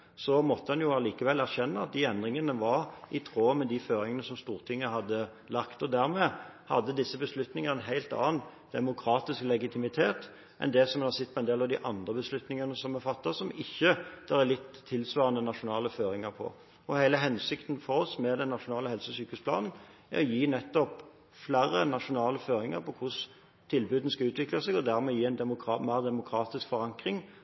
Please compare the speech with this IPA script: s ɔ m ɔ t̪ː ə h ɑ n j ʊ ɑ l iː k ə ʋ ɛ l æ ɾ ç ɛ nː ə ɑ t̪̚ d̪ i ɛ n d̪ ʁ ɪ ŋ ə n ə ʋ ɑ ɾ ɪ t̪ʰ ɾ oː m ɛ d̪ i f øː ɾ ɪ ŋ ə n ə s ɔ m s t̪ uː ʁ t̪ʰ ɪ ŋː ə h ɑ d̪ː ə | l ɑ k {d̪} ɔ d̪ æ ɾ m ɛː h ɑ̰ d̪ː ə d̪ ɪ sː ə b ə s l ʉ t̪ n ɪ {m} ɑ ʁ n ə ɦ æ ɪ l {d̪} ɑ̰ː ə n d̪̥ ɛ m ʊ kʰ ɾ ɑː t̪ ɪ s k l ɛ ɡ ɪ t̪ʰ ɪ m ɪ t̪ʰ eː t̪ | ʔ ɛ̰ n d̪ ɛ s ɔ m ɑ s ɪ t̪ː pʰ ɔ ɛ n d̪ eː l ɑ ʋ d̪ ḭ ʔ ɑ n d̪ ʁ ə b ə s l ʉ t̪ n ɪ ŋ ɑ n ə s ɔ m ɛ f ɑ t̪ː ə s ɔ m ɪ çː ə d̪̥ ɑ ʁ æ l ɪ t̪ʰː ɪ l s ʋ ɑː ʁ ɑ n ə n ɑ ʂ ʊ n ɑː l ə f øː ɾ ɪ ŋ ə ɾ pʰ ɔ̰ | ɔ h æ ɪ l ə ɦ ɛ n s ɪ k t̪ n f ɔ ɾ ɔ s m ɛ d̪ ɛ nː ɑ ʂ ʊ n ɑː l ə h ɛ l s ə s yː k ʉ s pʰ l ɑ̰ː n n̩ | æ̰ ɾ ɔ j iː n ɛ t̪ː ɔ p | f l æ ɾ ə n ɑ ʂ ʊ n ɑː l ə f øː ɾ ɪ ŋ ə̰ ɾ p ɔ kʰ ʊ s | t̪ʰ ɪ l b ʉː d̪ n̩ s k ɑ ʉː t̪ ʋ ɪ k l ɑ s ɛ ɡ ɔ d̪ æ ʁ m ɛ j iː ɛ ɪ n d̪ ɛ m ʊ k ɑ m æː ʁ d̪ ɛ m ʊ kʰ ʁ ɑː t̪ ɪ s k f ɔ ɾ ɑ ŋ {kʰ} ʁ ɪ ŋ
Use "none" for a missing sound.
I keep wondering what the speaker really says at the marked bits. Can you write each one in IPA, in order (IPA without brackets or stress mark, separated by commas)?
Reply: t̪, ŋ, t̪, k